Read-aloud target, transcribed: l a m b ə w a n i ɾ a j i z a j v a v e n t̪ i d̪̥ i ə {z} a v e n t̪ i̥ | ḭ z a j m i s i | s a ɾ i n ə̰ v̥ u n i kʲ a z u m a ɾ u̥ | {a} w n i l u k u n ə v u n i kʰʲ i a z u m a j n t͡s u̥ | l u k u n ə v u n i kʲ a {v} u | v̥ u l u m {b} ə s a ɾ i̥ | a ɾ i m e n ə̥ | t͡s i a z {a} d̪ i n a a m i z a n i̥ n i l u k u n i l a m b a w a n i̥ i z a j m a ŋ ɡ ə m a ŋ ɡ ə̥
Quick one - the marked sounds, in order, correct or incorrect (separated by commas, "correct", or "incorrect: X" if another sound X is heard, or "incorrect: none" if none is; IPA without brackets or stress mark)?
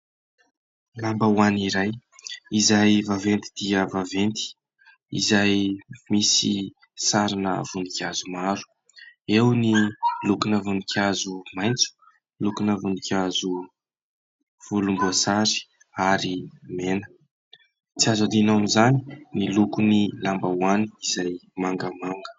incorrect: v, incorrect: e, incorrect: z, correct, correct